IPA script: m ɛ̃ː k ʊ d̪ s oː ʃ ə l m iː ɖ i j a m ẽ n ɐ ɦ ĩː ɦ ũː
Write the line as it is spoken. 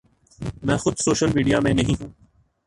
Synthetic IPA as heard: m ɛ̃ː x ʊ d̪ s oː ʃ ə l m iː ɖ i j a m ẽ n ɐ ɦ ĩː ɦ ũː

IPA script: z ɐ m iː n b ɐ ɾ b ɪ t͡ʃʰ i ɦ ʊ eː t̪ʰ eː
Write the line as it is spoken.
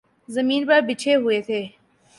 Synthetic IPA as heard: z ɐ m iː n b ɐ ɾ b ɪ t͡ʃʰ e ɦ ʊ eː t̪ʰ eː

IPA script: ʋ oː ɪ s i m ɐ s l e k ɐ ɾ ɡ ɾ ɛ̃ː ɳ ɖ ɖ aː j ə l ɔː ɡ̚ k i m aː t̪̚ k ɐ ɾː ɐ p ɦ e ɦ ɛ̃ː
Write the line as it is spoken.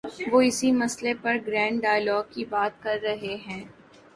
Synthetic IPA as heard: ʋ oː ɪ s i m ɐ s l e p ɐ ɾ ɡ ɾ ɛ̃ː ɳ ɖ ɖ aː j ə l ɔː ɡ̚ k i b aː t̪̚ k ɐ ɾː ɐ ɦ e ɦ ɛ̃ː

